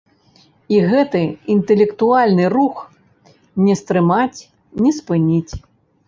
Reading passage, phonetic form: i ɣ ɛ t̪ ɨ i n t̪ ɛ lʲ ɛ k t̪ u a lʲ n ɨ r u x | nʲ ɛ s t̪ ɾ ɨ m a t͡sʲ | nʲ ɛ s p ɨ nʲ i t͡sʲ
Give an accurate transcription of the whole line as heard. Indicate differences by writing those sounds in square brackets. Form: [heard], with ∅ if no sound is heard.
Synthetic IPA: i ɣ ɛ t̪ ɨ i n t̪ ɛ lʲ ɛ k t̪ u a lʲ n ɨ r u x | nʲ ɛ s t̪ ɾ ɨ m a t͡sʲ | nʲ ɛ s p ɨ nʲ i t͡sʲ